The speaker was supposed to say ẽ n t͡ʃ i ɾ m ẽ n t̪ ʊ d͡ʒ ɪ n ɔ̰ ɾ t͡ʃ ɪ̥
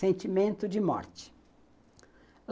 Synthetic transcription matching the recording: ẽ n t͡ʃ i m ẽ n t̪ ʊ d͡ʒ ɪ m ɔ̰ ɾ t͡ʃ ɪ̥